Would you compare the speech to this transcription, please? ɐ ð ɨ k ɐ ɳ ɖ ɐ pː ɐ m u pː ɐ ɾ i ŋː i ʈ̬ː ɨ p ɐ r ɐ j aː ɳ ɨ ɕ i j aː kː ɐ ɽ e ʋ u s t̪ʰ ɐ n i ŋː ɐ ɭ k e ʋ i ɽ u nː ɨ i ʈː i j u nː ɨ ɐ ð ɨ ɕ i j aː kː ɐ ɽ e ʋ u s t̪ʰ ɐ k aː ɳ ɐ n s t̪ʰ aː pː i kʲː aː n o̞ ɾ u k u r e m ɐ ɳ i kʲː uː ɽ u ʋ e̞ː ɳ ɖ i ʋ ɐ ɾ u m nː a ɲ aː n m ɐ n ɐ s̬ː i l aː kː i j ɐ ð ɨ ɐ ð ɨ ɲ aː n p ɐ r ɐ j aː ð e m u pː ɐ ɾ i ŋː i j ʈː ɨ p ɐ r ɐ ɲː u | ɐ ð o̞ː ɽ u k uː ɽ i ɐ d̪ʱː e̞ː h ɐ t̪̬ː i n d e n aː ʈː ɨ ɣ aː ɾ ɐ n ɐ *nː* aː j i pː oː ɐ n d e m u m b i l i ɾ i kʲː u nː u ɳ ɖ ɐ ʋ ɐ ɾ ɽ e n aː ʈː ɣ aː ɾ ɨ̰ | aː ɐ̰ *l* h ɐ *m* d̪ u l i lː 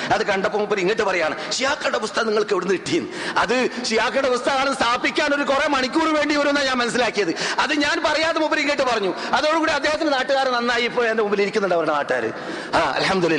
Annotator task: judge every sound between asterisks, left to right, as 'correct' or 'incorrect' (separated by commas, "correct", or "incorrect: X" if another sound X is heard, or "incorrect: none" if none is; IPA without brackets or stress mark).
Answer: correct, correct, correct